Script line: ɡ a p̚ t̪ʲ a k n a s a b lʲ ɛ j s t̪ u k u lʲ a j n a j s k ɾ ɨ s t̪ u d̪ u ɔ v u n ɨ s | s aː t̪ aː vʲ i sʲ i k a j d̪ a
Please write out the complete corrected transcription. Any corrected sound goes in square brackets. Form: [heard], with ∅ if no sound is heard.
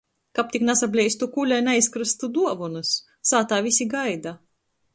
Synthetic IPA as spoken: [k] a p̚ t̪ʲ [i] k n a s a b lʲ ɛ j s t̪ u k u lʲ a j n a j s k ɾ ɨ s t̪ u d̪ u ɔ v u n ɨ s | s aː t̪ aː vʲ i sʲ i [ɡ] a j d̪ a